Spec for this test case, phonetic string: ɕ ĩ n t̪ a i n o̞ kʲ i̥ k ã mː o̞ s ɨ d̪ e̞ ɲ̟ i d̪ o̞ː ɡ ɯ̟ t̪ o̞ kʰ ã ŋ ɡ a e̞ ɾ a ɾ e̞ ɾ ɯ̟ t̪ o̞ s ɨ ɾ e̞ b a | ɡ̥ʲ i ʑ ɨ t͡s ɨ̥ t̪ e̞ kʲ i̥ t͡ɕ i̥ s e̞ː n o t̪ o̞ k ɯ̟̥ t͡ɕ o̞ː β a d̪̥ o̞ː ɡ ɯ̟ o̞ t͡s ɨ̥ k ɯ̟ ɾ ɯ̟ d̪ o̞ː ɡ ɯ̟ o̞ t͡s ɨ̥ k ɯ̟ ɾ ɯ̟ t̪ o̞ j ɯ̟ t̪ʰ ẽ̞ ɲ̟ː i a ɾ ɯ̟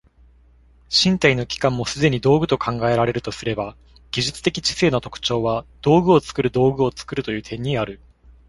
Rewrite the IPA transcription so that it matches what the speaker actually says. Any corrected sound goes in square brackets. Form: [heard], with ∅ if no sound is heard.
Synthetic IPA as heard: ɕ ĩ n t̪ a i n o̞ kʲ i̥ k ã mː o̞ s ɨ d̪ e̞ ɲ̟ i d̪ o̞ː ɡ ɯ̟ t̪ o̞ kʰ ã ŋ ɡ a e̞ ɾ a ɾ e̞ ɾ ɯ̟ t̪ o̞ s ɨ ɾ e̞ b a | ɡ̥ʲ i ʑ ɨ t͡s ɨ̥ t̪ e̞ kʲ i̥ t͡ɕ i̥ s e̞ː n o t̪ o̞ k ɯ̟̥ t͡ɕ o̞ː β a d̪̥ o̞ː ɡ ɯ̟ o̞ t͡s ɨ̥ k ɯ̟ ɾ ɯ̟ d̪ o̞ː ɡ ɯ̟ o̞ t͡s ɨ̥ k ɯ̟ ɾ ɯ̟ t̪ o̞ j [ɯ̟ː] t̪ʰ ẽ̞ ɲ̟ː i a ɾ ɯ̟